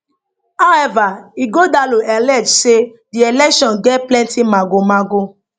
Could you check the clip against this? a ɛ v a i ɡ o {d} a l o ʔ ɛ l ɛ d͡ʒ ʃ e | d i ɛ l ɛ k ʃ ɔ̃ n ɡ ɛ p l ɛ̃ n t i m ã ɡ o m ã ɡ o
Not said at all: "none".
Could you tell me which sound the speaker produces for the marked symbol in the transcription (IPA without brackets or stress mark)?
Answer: d